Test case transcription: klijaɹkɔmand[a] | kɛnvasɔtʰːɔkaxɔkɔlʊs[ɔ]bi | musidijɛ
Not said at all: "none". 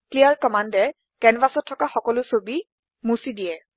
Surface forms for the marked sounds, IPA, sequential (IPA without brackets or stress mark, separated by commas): ɛ, o